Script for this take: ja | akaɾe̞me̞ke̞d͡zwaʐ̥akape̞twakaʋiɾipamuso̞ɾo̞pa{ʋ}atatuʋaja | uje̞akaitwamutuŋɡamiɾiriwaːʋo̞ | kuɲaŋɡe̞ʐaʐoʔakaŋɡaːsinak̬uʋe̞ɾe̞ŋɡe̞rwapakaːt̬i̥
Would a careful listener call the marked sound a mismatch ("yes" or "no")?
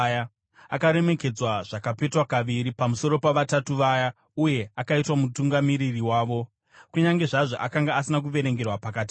no